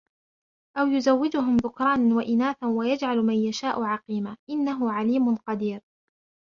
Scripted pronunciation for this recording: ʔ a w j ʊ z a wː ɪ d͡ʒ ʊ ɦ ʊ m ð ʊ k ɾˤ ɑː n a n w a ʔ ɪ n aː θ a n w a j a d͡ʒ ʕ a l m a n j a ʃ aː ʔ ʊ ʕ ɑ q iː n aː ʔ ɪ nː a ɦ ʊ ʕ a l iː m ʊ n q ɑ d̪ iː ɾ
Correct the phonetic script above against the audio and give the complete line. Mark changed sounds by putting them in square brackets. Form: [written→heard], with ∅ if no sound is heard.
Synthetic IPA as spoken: ʔ a w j ʊ z a wː ɪ d͡ʒ ʊ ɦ ʊ m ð ʊ k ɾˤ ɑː n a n w a ʔ ɪ n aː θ a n w a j a d͡ʒ ʕ a l m a n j a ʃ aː ʔ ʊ ʕ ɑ q iː [n→m] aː ʔ ɪ nː a ɦ ʊ ʕ a l iː m ʊ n q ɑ d̪ iː ɾ